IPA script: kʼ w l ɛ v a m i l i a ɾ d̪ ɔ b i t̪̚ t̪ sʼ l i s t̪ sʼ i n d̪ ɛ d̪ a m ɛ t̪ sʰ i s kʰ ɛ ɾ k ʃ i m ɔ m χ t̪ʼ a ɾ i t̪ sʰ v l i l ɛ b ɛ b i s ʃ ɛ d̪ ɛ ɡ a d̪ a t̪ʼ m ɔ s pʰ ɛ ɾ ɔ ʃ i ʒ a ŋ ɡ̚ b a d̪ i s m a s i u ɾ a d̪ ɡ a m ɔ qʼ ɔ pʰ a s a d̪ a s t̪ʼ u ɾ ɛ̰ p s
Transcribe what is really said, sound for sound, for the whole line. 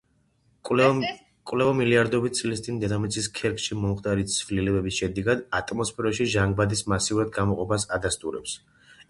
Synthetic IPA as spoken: kʼ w l ɛ v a m i l i a ɾ d̪ ɔ b i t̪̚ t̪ sʼ l i s t̪ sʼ i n d̪ ɛ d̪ a m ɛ t̪ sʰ i s kʰ ɛ ɾ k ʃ i m ɔ m χ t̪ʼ a ɾ i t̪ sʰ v l i l ɛ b ɛ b i s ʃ ɛ d̪ ɛ ɡ a d̪ a t̪ʼ m ɔ s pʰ ɛ ɾ ɔ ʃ i ʒ a ŋ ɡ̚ b a d̪ i s m a s i u ɾ a d̪ ɡ a m ɔ qʼ ɔ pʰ a s a d̪ a s t̪ʼ u ɾ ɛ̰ p s